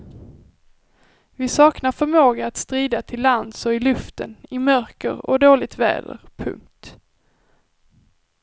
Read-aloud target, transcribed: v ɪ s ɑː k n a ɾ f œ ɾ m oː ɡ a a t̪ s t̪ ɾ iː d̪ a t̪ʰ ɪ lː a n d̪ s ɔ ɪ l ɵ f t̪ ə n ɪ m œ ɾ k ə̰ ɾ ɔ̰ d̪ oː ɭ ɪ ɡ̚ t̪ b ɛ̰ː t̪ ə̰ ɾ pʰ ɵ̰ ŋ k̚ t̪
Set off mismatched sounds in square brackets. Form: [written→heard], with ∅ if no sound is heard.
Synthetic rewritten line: v ɪ s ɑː k n a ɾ f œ ɾ m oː ɡ a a t̪ s t̪ ɾ iː d̪ a t̪ʰ ɪ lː a n d̪ s ɔ ɪ l ɵ f t̪ ə n ɪ m œ ɾ k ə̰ ɾ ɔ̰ d̪ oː [ɭ→l] ɪ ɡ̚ t̪ [b→v] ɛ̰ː [t̪→d̪] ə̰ ɾ pʰ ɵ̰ ŋ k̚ t̪